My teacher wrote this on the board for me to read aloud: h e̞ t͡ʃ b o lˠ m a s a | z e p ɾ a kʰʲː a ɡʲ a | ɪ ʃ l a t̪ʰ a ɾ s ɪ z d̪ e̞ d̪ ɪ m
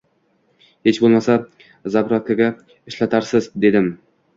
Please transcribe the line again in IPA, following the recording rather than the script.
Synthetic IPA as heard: h e̞ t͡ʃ b o lˠ m a s a | z a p ɾ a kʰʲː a ɡʲ a | ɪ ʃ l a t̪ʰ a ɾ s ɪ z d̪ e̞ d̪ ɪ m